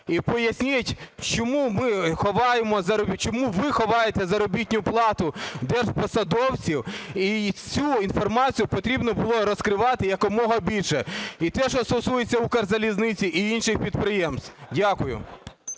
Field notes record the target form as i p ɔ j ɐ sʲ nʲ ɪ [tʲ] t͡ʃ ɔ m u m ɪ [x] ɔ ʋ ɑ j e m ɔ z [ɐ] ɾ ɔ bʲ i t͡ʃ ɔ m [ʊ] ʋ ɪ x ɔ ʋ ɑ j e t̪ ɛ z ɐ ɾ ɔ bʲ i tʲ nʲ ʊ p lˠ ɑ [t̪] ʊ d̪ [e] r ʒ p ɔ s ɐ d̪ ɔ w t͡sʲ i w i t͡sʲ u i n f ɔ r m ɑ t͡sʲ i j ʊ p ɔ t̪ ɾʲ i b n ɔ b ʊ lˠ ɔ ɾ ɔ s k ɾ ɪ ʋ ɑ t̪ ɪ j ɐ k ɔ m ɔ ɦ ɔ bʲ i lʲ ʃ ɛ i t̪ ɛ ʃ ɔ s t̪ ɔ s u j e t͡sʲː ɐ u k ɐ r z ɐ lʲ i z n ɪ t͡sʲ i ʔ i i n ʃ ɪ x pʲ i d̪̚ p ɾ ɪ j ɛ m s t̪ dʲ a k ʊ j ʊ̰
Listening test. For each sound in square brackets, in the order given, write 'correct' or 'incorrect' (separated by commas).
correct, correct, correct, incorrect, correct, incorrect